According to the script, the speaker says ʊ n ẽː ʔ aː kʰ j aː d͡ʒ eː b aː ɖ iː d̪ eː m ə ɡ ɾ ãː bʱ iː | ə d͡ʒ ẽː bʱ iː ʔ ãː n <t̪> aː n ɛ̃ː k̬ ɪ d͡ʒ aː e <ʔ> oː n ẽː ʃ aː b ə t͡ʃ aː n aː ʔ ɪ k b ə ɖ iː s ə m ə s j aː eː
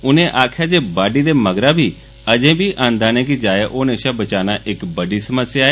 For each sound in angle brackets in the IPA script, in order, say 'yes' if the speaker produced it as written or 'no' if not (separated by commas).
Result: no, yes